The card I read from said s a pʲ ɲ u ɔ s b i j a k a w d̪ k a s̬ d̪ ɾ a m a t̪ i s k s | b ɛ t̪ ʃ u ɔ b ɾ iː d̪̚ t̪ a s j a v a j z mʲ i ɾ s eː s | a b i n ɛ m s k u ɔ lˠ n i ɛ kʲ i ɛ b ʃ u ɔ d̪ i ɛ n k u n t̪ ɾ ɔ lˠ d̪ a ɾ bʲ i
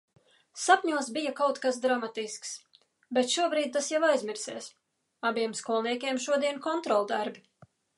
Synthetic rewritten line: s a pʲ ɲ u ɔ s b i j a k a w t̪ k a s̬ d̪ ɾ a m a t̪ i s k s | b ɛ t̪ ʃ u ɔ b ɾ iː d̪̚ t̪ a s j a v a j z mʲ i ɾ s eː s | a b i ɛ m s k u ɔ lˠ n i ɛ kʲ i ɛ m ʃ u ɔ d̪ i ɛ n k ɔ n t̪ ɾ ɔ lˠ d̪ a ɾ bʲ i